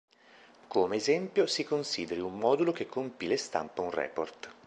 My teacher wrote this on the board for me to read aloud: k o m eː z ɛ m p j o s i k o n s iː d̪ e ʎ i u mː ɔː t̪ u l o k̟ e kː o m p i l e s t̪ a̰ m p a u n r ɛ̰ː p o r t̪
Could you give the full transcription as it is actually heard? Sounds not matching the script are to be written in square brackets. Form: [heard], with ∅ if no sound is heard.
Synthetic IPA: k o m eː z ɛ m p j o s i k o n s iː d̪ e [ɾ] i u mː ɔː [d̪] u l o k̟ e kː o m p i l e s t̪ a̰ m p a u n r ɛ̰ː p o r t̪

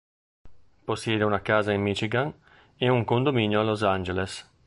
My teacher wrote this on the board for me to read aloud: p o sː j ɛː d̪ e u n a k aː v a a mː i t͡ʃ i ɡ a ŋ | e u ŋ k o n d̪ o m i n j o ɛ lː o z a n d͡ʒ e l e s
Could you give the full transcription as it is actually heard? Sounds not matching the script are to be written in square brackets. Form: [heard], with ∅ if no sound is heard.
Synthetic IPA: p o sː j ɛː d̪ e u n a k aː [z] a [i] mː i t͡ʃ i ɡ a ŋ | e u ŋ k o n d̪ o m i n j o [a] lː o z a n d͡ʒ e l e s

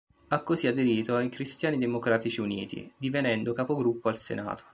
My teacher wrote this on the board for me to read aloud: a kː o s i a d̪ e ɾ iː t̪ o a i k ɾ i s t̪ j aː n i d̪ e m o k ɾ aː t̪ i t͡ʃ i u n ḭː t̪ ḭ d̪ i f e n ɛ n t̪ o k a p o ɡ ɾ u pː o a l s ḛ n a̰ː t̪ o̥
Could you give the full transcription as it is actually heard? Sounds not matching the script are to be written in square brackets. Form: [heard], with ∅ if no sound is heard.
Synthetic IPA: a kː o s i a d̪ e ɾ iː t̪ o a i k ɾ i s t̪ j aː n i d̪ e m o k ɾ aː t̪ i t͡ʃ i u n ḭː t̪ ḭ d̪ i [v] e n ɛ n [d̪] o k a p o ɡ ɾ u pː o a l s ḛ n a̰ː t̪ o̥

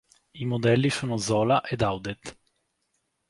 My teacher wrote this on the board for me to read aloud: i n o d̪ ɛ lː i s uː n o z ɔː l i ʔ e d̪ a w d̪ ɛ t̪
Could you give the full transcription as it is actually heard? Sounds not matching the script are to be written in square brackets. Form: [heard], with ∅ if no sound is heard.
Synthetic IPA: i [m] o d̪ ɛ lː i s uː n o z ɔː l [a] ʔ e d̪ a w d̪ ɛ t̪

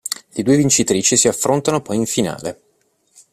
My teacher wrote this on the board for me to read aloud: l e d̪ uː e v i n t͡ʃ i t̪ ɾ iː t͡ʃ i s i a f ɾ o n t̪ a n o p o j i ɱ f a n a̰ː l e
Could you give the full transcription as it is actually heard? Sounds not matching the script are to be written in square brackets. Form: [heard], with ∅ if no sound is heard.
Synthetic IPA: l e d̪ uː e v i n t͡ʃ i t̪ ɾ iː t͡ʃ i s i a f ɾ o n t̪ a n o p [ɔ] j i ɱ f [i] n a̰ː l e

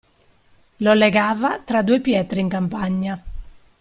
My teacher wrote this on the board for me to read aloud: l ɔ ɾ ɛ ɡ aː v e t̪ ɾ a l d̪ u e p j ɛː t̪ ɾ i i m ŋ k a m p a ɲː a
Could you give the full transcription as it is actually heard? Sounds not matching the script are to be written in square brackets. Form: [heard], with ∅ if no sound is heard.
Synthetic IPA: l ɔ [l] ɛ ɡ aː v [a] t̪ ɾ a [∅] d̪ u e p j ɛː t̪ ɾ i i [∅] ŋ k a m p a ɲː a

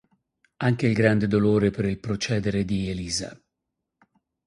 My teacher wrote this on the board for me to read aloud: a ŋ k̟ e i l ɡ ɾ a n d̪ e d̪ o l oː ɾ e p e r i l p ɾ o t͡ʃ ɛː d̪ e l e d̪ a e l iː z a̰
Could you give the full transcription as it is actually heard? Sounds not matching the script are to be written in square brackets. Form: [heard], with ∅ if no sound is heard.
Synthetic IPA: a ŋ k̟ e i l ɡ ɾ a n d̪ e d̪ o l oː ɾ e p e [ɾ] i l p ɾ o t͡ʃ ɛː d̪ e [ɾ] e d̪ [i] e l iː z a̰

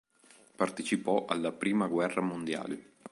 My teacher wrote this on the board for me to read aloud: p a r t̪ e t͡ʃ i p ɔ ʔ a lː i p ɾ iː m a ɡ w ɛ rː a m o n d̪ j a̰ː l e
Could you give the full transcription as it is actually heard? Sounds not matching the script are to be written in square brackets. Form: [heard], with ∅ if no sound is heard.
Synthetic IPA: p a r t̪ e t͡ʃ i p ɔ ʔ a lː [a] p ɾ iː m a ɡ w ɛ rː a m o n d̪ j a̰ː l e

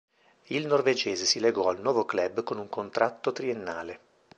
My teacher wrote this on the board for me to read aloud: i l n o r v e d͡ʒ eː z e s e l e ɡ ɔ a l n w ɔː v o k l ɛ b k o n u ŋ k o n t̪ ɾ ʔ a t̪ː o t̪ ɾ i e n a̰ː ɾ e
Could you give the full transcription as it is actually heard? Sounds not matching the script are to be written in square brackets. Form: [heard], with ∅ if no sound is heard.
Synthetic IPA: i l n o r v e d͡ʒ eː z e s [i] l e ɡ ɔ a l n w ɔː v o k l ɛ b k o n u ŋ k o n t̪ ɾ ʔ a t̪ː o t̪ ɾ i e [nː] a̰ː [l] e

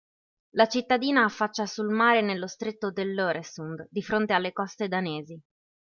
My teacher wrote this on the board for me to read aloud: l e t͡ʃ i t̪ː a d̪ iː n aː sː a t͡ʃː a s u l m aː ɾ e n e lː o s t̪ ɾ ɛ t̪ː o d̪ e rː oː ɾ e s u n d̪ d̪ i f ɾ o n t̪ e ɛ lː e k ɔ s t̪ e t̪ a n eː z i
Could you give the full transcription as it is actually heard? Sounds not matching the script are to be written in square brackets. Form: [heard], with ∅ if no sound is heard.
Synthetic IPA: l [a] t͡ʃ i t̪ː a d̪ iː n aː [fː] a t͡ʃː a s u l m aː ɾ e n e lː o s t̪ ɾ [e] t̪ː o d̪ e [lː] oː ɾ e s u n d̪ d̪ i f ɾ o n t̪ e [a] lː e k ɔ s t̪ e [d̪] a n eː z i

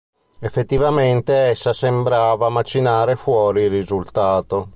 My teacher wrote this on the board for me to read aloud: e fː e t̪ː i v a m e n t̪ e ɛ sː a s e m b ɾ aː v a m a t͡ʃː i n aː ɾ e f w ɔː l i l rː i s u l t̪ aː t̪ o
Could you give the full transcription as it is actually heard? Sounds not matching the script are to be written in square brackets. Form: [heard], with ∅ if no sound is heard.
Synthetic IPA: e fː e t̪ː i v a m e n t̪ e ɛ sː a s e m b ɾ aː v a m a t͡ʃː i n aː ɾ e f w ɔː [ɾ] i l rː i [z] u l t̪ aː t̪ o

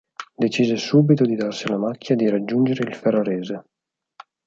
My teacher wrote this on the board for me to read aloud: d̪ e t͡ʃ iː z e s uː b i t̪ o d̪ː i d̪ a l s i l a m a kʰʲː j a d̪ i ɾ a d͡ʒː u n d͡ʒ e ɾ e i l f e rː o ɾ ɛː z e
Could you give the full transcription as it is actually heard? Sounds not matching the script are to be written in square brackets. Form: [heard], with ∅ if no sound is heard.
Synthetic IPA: d̪ e t͡ʃ iː z e s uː b i t̪ o [d̪] i d̪ a [r] s i l a m a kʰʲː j a d̪ i ɾ a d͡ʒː u n d͡ʒ e ɾ e i l f e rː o ɾ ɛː z e

